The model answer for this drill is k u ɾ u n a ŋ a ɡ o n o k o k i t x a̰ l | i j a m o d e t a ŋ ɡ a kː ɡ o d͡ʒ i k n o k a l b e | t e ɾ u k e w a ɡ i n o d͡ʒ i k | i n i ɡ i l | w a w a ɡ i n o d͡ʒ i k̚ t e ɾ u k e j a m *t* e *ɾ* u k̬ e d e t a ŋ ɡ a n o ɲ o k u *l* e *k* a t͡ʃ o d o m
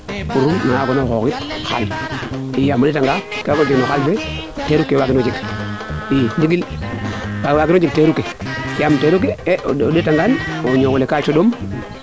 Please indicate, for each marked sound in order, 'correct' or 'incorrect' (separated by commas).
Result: correct, correct, correct, correct